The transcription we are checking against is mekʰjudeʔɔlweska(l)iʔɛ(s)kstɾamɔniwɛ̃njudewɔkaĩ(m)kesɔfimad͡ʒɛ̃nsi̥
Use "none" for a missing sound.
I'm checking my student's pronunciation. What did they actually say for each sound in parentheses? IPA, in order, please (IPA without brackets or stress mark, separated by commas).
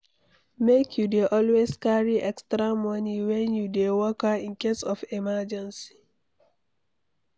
ɹ, none, n